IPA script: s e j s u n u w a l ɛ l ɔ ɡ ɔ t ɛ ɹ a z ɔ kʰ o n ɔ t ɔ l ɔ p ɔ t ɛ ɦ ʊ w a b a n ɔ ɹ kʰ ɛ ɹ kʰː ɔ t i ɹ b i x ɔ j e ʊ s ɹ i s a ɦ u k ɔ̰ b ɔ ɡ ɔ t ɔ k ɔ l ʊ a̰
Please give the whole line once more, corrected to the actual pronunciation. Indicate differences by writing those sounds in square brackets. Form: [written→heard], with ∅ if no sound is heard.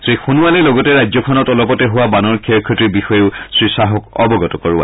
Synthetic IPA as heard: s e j [s→x] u n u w a l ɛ l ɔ ɡ ɔ t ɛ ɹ a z ɔ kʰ [o→ɔ] n ɔ t ɔ l ɔ p ɔ t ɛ ɦ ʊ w a b a n ɔ ɹ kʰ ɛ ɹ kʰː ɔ t i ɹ b i x ɔ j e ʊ s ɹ i s a ɦ [u→ɔ] k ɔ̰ b ɔ ɡ ɔ t ɔ k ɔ [l→ɹ] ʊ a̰